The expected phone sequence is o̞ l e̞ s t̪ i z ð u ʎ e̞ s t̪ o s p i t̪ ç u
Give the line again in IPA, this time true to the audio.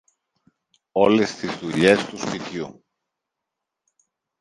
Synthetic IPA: o̞ l e̞ s t̪ i z ð u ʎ e̞ s t̪ u s p i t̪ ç u